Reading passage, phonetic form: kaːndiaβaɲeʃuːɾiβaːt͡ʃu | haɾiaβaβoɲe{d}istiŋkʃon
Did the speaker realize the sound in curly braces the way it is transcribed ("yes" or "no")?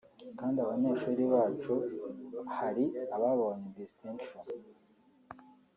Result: yes